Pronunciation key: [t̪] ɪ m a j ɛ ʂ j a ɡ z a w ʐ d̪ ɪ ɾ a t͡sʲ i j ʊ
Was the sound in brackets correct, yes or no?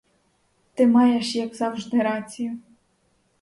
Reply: yes